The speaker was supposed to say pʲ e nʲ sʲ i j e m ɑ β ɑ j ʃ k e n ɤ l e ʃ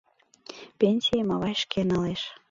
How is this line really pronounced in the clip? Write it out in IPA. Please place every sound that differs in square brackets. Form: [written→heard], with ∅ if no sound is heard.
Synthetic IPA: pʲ e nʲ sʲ i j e m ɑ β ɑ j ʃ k e n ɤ l e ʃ